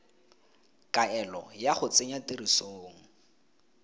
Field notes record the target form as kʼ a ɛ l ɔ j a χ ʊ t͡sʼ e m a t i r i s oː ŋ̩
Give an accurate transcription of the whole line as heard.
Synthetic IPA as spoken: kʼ a ɛ l ɔ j a χ ʊ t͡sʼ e ɲ a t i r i s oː ŋ̩